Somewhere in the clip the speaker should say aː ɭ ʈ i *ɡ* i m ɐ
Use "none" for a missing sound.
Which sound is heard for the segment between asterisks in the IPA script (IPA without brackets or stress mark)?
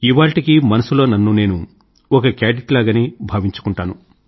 k